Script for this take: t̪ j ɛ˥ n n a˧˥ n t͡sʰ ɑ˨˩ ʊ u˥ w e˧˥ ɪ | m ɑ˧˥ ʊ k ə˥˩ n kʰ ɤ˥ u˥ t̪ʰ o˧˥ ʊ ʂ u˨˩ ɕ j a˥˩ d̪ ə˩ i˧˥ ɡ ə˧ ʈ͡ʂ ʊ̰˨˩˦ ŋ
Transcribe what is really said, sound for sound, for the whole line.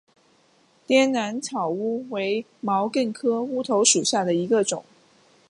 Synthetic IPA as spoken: t̪ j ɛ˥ n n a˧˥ n t͡sʰ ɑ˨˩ ʊ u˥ w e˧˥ ɪ | m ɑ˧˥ ʊ k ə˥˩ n kʰ ɤ˥ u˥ t̪ʰ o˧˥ ʊ ʂ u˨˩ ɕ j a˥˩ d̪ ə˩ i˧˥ ɡ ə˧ ʈ͡ʂ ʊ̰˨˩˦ ŋ